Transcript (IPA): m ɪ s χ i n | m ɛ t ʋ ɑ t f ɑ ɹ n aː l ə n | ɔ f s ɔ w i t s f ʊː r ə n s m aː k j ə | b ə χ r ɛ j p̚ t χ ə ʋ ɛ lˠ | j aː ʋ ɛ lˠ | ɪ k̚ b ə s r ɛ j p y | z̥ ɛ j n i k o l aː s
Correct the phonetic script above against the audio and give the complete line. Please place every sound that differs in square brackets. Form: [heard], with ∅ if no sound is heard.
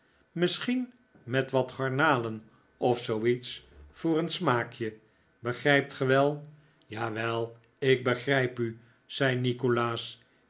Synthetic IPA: m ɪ s χ i n | m ɛ t ʋ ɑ t [χ] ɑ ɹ n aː l ə n | ɔ f s [o] w i t s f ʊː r ə n s m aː k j ə | b ə χ r ɛ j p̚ t χ ə ʋ ɛ lˠ | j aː ʋ ɛ lˠ | ɪ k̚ b ə [χ] r ɛ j p y | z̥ ɛ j n i k o l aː s